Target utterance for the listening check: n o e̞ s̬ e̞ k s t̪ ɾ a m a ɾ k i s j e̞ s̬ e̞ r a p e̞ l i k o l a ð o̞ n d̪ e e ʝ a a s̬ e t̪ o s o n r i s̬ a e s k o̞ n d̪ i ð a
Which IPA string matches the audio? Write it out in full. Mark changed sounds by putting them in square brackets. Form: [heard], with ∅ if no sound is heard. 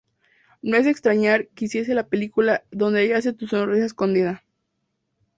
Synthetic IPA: n o e̞ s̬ e̞ k s t̪ ɾ a [ɲ] a ɾ k i s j e̞ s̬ e̞ [l] a p e̞ l i k [u] l a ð o̞ n d̪ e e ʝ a a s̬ e t̪ [u] s o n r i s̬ a e s k o̞ n d̪ i ð a